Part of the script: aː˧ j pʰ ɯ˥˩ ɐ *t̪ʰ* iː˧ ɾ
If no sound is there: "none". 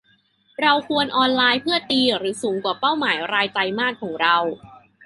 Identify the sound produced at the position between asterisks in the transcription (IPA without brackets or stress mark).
t̪